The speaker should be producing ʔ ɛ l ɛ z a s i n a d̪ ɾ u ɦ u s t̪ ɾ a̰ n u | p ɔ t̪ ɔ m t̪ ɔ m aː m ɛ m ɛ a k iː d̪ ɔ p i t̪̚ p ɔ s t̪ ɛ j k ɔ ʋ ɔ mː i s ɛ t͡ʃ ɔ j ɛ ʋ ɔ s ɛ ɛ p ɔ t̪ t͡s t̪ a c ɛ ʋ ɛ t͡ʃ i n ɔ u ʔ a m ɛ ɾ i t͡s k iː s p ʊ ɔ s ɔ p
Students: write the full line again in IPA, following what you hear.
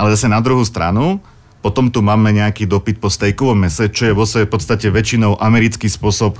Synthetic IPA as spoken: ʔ a l ɛ z a s ɛ n a d̪ ɾ u ɦ u s t̪ ɾ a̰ n u | p ɔ t̪ ɔ m t̪ u m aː m ɛ ɲ ɛ a k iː d̪ ɔ p i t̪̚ p ɔ s t̪ ɛ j k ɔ ʋ ɔ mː ɛ s ɛ t͡ʃ ɔ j ɛ ʋ ɔ s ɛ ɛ p ɔ t̪ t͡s t̪ a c ɛ ʋ ɛ t͡ʃ i n ɔ ʊ ʔ a m ɛ ɾ i t͡s k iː s p ʊ ɔ s ɔ p